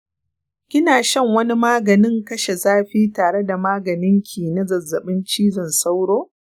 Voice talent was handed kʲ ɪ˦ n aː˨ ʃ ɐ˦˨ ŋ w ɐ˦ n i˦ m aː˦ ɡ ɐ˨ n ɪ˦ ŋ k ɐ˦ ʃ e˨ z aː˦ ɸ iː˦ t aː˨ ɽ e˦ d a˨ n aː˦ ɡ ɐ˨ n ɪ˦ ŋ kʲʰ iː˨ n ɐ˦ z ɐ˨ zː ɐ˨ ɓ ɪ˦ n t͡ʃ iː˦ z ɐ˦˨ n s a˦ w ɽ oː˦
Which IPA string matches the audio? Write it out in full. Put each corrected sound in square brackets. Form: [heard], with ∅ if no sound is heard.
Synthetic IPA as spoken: kʲ ɪ˦ n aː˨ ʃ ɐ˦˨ ŋ w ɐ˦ n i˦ m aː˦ ɡ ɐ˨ n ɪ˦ ŋ k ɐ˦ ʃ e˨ z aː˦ ɸ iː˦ t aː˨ ɽ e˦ d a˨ [m] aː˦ ɡ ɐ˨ n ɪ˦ ŋ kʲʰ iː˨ n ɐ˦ z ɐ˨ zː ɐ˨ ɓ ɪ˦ n t͡ʃ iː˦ z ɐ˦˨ n s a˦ w ɽ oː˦

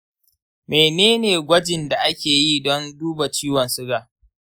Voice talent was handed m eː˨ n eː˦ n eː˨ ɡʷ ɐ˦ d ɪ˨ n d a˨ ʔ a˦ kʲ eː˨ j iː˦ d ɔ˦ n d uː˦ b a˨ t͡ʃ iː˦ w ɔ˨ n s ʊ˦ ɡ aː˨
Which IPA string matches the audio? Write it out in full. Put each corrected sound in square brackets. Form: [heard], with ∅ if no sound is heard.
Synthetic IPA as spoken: m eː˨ n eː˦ n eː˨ ɡʷ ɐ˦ [d͡ʒ] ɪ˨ n d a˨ ʔ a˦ kʲ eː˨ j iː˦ d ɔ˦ n d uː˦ b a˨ t͡ʃ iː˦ w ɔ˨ n s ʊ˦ ɡ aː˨

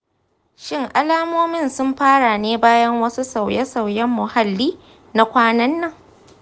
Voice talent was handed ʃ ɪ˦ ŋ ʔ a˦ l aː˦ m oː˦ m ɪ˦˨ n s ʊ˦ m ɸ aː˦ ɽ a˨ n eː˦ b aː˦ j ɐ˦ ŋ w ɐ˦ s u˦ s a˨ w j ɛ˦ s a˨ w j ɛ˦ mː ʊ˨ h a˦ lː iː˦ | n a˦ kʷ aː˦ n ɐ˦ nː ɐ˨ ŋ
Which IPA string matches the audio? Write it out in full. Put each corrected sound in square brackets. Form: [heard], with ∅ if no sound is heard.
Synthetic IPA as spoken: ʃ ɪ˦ ŋ ʔ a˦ l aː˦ m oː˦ m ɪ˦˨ n s ʊ˦ m ɸ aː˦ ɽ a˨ n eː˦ b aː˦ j ɐ˦ ŋ w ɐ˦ s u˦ s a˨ w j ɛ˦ s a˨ w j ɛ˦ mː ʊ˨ h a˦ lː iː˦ | n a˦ kʷ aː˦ n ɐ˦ nː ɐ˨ ŋ

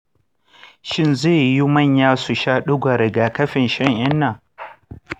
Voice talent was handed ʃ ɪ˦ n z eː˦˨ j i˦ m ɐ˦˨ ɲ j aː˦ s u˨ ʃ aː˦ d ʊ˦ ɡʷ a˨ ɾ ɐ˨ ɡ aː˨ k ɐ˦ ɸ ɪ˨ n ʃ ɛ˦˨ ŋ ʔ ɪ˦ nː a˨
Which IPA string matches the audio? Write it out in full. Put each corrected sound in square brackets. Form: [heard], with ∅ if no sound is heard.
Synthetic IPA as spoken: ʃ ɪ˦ n z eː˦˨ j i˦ m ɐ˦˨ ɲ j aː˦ s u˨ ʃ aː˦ [ɗ] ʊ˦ ɡʷ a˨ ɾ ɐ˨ ɡ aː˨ k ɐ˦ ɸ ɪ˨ n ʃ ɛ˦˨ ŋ ʔ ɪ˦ nː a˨

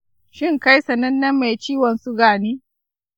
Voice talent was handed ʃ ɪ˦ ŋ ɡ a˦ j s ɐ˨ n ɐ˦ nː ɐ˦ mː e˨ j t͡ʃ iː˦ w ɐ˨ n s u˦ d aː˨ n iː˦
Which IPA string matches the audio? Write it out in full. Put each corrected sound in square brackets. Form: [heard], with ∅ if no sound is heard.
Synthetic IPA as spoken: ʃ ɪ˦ ŋ [k] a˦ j s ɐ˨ n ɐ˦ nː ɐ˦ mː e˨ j t͡ʃ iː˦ w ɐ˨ n s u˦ [ɡ] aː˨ n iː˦

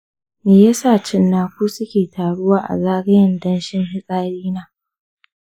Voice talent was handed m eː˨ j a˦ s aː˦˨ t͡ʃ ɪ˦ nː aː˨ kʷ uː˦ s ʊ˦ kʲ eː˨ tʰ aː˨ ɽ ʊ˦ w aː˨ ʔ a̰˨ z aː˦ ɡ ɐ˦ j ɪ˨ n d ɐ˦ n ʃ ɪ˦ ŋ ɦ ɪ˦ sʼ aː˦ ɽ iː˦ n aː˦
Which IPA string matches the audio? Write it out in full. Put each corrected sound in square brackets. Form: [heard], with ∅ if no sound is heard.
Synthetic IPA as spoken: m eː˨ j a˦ s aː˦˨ t͡ʃ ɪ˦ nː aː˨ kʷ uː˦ s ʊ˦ kʲ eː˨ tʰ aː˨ ɽ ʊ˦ w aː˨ ʔ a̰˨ z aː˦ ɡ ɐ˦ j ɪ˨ n d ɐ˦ n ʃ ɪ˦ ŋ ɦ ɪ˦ sʼ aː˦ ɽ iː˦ n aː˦

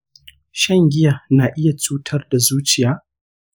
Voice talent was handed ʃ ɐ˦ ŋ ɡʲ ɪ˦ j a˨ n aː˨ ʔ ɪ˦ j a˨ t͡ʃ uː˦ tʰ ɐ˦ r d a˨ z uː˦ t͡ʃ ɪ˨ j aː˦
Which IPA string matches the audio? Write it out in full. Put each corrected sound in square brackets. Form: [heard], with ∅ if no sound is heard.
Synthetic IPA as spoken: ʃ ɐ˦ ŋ ɡʲ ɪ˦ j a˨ n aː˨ ʔ ɪ˦ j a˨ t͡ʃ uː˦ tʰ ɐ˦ r d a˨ z uː˦ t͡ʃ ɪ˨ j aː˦

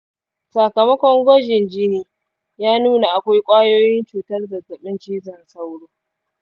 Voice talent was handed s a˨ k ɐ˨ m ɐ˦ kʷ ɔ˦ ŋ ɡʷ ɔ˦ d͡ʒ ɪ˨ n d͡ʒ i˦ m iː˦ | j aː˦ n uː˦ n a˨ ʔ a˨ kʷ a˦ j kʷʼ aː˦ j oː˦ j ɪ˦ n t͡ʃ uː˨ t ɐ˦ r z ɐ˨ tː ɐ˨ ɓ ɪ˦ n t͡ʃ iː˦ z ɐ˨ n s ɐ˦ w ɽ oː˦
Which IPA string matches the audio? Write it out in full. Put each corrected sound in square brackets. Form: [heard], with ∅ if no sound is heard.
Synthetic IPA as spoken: s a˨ k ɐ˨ m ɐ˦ kʷ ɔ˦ ŋ ɡʷ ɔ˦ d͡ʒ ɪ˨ n d͡ʒ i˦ [n] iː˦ | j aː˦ n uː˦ n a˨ ʔ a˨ kʷ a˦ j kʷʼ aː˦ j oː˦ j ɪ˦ n t͡ʃ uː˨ t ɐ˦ r z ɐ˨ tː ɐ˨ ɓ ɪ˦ n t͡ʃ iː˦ z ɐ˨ n s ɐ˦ w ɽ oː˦

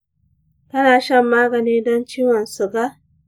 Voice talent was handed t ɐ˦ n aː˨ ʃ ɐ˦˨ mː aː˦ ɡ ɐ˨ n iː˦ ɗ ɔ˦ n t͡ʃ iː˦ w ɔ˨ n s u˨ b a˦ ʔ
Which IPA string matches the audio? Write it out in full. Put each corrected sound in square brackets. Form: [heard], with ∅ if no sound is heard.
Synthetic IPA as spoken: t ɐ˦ n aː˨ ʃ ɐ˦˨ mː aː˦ ɡ ɐ˨ n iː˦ [d] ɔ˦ n t͡ʃ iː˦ w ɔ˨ n s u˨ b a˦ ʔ

